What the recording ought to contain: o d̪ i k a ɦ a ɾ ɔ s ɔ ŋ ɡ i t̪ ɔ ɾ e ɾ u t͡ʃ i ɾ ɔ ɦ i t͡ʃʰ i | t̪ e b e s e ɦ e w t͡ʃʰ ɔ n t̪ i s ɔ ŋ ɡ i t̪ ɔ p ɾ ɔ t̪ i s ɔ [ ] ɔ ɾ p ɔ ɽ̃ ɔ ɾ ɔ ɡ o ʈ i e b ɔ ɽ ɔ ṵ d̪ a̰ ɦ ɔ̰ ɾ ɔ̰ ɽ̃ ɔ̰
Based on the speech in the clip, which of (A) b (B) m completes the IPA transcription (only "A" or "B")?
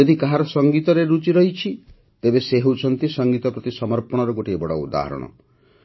B